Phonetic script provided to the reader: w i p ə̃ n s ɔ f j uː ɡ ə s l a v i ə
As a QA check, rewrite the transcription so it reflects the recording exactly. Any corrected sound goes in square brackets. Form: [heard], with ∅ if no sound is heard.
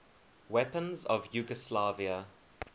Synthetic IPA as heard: w [ɛ] p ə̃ n [z] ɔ [v] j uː ɡ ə s l a v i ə